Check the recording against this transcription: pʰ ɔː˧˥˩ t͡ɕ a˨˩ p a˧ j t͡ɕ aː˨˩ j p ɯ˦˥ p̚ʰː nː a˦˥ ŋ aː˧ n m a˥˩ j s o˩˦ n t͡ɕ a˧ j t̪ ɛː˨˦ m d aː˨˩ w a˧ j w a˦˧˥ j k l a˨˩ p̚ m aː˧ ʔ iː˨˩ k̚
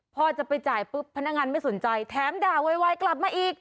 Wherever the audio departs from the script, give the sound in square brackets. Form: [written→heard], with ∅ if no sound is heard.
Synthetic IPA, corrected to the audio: pʰ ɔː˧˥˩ t͡ɕ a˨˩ p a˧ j t͡ɕ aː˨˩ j p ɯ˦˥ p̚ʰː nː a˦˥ ŋ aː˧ n m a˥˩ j s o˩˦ n t͡ɕ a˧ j [t̪→t̪ʰ] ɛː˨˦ m d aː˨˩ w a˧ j w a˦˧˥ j k l a˨˩ p̚ m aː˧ ʔ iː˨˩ k̚

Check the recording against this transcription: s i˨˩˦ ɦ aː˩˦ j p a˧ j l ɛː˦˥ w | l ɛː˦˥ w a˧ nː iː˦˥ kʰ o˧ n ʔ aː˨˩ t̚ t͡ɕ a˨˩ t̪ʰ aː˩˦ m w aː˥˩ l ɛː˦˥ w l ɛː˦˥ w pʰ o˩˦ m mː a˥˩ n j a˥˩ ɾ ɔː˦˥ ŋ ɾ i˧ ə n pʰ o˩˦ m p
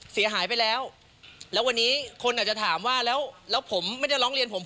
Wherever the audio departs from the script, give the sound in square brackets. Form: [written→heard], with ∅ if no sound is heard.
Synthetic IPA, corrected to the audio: s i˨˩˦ ɦ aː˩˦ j p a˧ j l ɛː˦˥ w | l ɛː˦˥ w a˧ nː iː˦˥ kʰ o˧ n ʔ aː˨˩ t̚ t͡ɕ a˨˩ t̪ʰ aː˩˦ m w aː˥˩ l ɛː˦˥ w l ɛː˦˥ w pʰ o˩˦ m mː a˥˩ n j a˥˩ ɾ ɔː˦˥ ŋ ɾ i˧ ə n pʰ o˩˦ m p

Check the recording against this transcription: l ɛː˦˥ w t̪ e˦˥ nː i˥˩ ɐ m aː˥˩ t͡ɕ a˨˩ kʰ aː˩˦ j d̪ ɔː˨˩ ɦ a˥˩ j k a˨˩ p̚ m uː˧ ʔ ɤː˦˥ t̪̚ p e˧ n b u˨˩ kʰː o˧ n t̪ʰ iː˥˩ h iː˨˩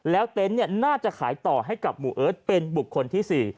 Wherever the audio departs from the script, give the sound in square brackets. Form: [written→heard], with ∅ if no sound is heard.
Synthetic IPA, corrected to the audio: l ɛː˦˥ w t̪ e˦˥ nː i˥˩ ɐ [m→n] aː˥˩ t͡ɕ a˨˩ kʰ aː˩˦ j [d̪→t̪] ɔː˨˩ ɦ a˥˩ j k a˨˩ p̚ m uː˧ ʔ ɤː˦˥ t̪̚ p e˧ n b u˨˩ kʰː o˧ n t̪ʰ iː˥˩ [h→s] iː˨˩

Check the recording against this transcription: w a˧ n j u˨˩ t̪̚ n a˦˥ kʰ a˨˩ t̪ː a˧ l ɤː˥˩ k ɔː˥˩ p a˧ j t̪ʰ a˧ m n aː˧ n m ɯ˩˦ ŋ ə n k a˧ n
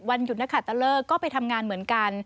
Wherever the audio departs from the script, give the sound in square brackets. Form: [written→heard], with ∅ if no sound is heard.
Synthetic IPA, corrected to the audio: w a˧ n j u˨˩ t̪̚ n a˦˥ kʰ a˨˩ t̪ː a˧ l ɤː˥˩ k ɔː˥˩ p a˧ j t̪ʰ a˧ m [n→ŋ] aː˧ n m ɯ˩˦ [ŋ→∅] ə n k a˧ n

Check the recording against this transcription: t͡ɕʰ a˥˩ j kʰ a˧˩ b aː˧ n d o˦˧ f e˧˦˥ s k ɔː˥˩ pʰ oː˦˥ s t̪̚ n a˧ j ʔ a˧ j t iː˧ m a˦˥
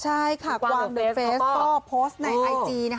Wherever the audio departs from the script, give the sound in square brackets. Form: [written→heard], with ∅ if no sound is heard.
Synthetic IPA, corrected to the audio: t͡ɕʰ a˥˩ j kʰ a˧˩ [b→w] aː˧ [n→ŋ] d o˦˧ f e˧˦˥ s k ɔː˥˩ pʰ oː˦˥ s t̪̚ n a˧ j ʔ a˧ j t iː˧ [m→n] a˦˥

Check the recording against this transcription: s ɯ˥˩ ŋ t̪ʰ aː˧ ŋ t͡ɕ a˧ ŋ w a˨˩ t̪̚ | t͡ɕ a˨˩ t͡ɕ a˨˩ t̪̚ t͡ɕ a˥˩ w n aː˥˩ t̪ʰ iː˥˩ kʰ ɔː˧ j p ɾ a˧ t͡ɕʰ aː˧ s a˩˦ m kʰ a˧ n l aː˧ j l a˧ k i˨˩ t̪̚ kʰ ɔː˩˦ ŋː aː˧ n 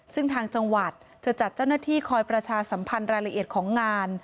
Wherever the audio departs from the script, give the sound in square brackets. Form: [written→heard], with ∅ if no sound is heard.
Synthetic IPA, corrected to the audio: s ɯ˥˩ ŋ t̪ʰ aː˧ ŋ t͡ɕ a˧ ŋ w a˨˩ t̪̚ | t͡ɕ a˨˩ t͡ɕ a˨˩ t̪̚ t͡ɕ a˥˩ w n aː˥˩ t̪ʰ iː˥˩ kʰ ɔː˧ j p ɾ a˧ t͡ɕʰ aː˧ s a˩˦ m [kʰ→pʰ] a˧ n [l→ɾ] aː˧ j l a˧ [k→ʔ] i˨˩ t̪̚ kʰ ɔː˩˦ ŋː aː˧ n

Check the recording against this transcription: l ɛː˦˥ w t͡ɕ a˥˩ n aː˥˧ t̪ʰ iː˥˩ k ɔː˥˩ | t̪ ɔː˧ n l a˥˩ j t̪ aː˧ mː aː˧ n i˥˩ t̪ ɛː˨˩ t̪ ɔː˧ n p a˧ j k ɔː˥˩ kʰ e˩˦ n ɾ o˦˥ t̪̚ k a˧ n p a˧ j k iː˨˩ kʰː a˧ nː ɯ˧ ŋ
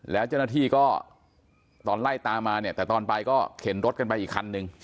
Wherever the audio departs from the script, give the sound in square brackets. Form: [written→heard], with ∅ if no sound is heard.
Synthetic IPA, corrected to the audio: l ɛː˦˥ w t͡ɕ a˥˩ n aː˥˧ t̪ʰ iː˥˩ k ɔː˥˩ | t̪ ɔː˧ n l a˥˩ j t̪ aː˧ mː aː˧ n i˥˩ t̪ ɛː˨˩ t̪ ɔː˧ n p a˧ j k ɔː˥˩ kʰ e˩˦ n ɾ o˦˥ t̪̚ k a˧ n p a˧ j [k→ʔ] iː˨˩ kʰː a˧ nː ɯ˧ ŋ

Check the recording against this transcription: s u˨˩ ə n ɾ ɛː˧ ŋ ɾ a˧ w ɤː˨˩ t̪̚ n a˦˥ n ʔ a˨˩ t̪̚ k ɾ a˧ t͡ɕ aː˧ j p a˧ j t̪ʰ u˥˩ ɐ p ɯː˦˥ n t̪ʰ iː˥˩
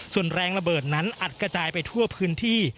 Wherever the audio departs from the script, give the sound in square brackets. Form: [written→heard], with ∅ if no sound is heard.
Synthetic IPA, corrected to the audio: s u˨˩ ə n ɾ ɛː˧ ŋ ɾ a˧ [w→b] ɤː˨˩ t̪̚ n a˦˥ n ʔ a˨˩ t̪̚ k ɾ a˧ t͡ɕ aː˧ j p a˧ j t̪ʰ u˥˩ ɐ [p→pʰ] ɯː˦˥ n t̪ʰ iː˥˩

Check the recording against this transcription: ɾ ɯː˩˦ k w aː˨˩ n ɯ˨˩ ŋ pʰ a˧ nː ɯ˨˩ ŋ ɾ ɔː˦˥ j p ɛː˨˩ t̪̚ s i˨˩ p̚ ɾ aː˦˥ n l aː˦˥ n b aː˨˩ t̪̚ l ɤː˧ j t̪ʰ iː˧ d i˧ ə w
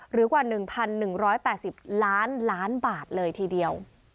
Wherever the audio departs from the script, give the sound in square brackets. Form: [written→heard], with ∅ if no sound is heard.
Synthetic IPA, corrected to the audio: ɾ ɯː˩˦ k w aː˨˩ n ɯ˨˩ ŋ pʰ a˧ nː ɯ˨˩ ŋ ɾ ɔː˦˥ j p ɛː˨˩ t̪̚ s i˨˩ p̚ [ɾ→l] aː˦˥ n l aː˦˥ n b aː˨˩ t̪̚ l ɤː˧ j t̪ʰ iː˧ d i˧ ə w

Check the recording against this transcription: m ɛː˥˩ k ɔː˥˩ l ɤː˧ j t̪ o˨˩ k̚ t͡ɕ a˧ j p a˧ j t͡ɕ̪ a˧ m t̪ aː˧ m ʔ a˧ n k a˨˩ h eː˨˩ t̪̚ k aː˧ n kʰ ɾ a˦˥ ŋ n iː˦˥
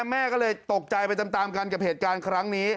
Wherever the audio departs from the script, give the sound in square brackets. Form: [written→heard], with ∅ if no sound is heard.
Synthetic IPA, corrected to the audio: m ɛː˥˩ k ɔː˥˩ l ɤː˧ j t̪ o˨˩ k̚ t͡ɕ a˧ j p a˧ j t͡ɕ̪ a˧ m t̪ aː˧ m [ʔ→k] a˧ n k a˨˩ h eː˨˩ t̪̚ k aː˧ n kʰ ɾ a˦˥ ŋ n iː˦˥

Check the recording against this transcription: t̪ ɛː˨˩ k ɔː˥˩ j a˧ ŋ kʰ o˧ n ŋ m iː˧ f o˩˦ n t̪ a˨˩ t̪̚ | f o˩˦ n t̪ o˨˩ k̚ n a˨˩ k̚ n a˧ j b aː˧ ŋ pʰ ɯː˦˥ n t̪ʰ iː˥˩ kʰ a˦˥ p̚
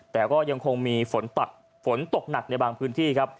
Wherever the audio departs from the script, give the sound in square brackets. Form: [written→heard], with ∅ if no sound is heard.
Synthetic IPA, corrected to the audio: t̪ ɛː˨˩ k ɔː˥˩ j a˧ ŋ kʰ o˧ [n→∅] ŋ m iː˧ f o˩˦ n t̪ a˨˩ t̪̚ | f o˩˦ n t̪ o˨˩ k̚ n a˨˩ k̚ n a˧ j b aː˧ ŋ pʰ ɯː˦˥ n t̪ʰ iː˥˩ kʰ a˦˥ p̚

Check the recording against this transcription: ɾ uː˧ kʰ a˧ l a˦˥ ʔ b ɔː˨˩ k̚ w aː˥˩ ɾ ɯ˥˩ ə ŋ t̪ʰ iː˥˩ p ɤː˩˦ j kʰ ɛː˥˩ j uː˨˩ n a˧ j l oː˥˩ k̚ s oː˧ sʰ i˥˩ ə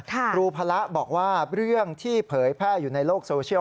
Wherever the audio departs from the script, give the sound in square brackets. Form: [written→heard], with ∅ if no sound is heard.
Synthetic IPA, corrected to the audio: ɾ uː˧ [kʰ→pʰ] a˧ l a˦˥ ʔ b ɔː˨˩ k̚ w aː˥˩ ɾ ɯ˥˩ ə ŋ t̪ʰ iː˥˩ [p→pʰ] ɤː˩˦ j [kʰ→pʰ] ɛː˥˩ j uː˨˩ n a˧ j l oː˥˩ k̚ s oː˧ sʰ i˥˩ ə

